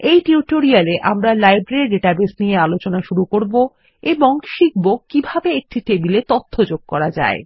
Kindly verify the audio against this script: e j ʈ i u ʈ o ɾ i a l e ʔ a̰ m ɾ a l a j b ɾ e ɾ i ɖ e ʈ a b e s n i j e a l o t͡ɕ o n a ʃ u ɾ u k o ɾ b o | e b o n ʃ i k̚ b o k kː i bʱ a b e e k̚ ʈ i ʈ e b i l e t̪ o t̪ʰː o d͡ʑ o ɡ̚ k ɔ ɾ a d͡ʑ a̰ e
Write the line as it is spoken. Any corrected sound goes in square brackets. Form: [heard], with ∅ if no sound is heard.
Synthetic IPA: e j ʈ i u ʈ o ɾ i a l e ʔ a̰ m ɾ a l a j b ɾ e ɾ i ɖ e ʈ a b e s n i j e a l o t͡ɕ o n a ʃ u ɾ u k o ɾ b o | e b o [ŋ] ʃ i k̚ b o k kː i bʱ a b e e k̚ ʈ i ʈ e b i l e t̪ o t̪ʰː o d͡ʑ o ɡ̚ k ɔ ɾ a d͡ʑ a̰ e